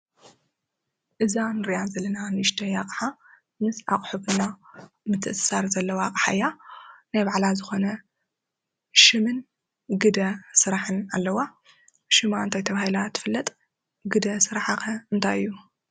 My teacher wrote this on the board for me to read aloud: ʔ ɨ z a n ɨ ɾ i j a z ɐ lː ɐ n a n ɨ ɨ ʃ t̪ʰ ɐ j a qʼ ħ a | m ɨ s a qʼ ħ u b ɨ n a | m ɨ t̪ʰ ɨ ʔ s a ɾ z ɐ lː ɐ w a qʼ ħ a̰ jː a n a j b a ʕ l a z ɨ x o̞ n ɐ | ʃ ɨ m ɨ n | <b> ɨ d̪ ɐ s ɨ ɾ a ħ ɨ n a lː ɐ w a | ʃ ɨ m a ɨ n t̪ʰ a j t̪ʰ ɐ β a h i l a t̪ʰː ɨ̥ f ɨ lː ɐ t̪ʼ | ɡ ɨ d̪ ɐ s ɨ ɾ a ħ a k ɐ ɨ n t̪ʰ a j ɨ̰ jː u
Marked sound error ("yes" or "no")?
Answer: yes